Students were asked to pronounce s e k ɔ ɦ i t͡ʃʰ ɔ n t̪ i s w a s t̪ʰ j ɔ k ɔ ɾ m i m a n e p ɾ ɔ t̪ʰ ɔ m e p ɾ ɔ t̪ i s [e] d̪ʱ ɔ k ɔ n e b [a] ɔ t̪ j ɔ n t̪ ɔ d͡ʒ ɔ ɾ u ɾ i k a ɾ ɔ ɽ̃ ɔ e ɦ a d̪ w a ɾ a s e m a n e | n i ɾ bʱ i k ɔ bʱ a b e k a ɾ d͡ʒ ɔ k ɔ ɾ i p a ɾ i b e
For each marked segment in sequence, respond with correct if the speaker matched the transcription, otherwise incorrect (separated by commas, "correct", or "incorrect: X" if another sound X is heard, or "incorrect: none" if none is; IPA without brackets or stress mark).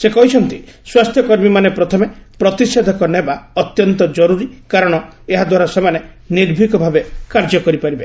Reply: correct, correct